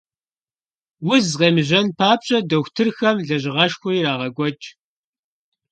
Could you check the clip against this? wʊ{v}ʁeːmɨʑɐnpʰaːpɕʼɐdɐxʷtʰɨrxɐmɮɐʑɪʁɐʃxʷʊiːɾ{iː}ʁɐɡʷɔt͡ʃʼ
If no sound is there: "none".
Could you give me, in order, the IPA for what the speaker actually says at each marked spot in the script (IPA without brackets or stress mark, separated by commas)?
z, aː